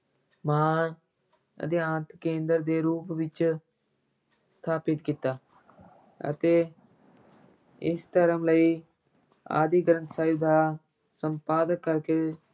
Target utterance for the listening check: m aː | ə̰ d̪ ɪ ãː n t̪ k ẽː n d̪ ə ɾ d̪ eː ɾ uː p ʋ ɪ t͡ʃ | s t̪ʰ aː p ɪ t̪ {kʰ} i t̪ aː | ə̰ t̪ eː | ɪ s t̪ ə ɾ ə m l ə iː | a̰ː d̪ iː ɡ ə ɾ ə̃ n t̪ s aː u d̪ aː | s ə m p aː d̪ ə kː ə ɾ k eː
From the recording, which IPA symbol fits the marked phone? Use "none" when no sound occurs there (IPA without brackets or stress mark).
k